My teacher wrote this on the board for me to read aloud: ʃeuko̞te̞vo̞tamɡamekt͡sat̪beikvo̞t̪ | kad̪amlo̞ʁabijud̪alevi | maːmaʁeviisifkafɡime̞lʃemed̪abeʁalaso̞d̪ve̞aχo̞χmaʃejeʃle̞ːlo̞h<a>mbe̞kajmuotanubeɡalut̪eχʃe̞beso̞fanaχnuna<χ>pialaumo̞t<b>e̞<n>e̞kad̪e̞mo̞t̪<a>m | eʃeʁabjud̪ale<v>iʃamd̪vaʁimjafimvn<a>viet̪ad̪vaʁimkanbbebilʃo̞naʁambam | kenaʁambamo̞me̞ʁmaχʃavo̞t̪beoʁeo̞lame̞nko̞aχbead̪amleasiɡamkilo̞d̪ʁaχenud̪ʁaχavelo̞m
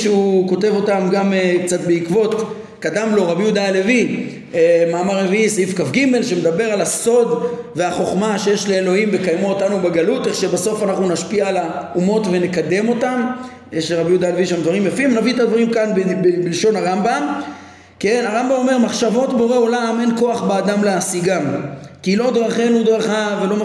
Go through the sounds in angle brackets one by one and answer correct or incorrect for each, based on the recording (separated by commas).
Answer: incorrect, incorrect, incorrect, correct, correct, correct, correct